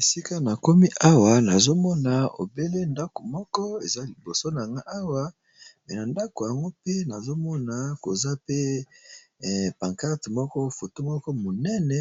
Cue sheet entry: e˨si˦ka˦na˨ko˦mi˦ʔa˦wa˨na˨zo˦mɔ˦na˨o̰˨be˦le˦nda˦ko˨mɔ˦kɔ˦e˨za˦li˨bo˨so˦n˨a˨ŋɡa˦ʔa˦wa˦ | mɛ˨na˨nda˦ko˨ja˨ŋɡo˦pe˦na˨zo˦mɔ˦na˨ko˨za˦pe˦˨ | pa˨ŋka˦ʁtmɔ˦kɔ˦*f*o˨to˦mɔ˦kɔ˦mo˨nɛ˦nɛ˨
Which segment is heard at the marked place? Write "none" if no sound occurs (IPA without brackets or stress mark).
f